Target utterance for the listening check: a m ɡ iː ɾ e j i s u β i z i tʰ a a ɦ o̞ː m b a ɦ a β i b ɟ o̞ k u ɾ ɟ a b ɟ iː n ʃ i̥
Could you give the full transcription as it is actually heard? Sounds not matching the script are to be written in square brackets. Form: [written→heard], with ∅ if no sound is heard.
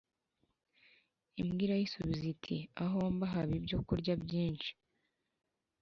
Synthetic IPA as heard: [a→i] m ɡ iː ɾ [e→a] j i s u β i z i tʰ [a→i] a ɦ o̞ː m b a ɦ a β i b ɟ o̞ k u ɾ ɟ a b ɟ iː n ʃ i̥